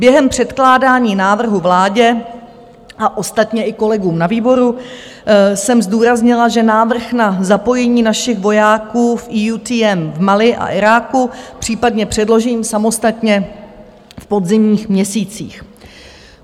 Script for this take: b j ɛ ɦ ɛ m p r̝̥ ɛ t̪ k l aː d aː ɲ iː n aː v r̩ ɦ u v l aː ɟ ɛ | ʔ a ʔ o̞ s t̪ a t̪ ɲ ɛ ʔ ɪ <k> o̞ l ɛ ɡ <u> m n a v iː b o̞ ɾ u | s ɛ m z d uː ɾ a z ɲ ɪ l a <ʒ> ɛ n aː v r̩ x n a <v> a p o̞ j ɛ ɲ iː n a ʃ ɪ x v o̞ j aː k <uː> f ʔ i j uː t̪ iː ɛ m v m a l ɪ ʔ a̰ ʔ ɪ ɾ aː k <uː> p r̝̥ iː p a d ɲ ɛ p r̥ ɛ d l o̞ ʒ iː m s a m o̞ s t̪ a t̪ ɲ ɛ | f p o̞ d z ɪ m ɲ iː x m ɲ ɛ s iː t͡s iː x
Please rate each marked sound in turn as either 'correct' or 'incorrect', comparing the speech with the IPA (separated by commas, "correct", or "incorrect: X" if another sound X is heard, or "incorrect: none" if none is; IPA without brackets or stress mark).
correct, incorrect: uː, correct, incorrect: z, correct, incorrect: u